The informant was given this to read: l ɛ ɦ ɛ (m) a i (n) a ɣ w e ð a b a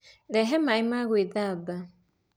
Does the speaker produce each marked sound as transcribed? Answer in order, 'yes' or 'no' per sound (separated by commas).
yes, no